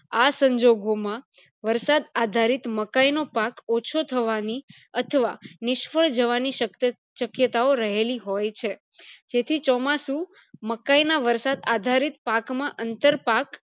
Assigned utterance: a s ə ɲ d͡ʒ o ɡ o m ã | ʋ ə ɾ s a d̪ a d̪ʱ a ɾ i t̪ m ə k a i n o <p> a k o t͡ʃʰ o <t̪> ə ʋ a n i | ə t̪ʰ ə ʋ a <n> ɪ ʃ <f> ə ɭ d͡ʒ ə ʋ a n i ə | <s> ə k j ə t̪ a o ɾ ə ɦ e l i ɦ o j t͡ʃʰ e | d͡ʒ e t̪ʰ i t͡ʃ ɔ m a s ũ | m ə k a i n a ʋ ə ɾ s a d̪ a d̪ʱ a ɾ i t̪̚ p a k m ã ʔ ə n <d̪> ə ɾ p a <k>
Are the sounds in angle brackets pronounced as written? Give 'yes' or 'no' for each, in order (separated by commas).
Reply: yes, no, yes, yes, no, no, yes